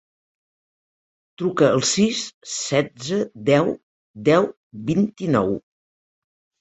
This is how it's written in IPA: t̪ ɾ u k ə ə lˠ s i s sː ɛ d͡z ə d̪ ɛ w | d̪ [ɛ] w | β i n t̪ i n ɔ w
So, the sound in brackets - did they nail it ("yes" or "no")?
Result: yes